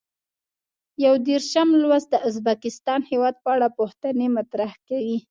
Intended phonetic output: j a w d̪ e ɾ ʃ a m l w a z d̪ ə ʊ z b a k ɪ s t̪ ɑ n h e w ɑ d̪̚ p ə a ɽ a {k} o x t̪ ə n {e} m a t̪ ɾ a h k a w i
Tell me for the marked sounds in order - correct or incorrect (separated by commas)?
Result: incorrect, correct